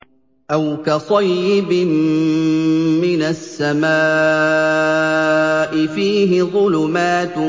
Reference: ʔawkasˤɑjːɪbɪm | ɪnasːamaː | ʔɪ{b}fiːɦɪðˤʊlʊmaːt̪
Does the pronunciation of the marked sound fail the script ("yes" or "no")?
yes